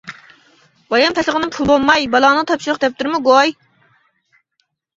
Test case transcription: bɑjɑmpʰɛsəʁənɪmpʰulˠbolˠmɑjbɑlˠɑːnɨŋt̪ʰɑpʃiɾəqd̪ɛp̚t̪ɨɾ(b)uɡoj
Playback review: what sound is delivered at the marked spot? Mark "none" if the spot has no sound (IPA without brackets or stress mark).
m